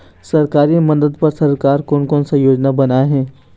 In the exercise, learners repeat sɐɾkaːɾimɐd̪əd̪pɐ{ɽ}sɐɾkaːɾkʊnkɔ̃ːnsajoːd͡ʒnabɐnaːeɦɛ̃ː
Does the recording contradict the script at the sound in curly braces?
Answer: yes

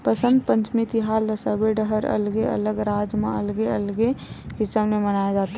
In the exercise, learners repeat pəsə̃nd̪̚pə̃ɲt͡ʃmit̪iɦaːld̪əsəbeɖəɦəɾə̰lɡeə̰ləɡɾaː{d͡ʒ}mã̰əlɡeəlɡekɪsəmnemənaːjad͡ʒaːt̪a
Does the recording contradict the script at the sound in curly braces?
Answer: no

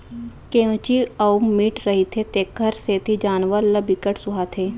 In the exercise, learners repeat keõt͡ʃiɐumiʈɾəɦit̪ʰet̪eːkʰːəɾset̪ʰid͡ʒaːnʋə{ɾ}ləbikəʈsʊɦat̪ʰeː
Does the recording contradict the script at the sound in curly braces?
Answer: no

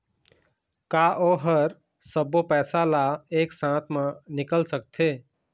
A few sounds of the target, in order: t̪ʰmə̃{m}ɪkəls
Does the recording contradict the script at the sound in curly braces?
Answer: yes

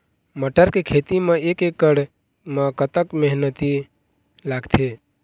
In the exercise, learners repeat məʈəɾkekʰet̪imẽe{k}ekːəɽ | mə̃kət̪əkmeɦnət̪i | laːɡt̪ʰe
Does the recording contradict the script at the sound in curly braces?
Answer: no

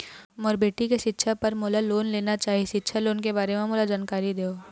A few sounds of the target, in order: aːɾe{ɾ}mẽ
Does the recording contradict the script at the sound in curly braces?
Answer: yes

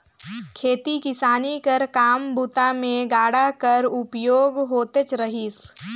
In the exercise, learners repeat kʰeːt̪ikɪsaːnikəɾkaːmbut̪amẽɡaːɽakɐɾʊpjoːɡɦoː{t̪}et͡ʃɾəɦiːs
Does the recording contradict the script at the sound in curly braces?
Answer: no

